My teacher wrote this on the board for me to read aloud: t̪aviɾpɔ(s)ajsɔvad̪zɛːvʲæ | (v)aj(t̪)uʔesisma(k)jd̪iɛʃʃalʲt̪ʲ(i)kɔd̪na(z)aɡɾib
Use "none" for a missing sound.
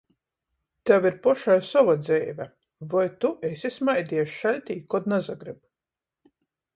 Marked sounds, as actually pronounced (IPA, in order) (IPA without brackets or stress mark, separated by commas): ʃ, v, t̪, none, iː, z